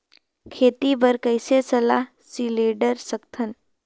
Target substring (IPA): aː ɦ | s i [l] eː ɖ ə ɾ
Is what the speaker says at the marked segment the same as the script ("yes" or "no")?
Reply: yes